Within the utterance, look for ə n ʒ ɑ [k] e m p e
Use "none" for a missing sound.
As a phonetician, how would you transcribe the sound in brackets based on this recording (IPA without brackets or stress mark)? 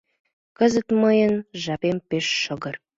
p